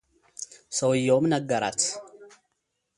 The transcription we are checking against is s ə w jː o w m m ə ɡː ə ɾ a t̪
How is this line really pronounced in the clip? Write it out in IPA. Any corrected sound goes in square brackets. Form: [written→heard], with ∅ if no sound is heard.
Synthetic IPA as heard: s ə w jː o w m [m→n] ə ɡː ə ɾ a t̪